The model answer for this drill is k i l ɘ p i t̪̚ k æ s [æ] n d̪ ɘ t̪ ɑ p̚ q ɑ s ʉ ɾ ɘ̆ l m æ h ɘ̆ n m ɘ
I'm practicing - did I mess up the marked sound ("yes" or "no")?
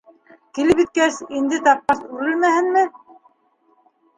yes